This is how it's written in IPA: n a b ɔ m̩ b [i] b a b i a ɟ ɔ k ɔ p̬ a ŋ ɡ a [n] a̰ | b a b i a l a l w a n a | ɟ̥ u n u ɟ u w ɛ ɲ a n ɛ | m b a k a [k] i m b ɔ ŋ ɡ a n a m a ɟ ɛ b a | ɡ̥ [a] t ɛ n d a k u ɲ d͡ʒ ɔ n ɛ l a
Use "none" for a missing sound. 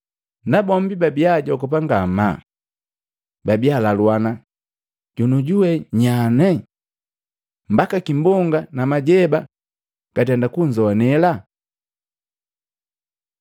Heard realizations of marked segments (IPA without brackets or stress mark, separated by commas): i, m, k, a